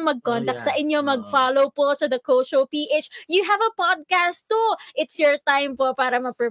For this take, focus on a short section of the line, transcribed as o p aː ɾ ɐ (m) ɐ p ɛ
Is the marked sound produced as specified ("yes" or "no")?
yes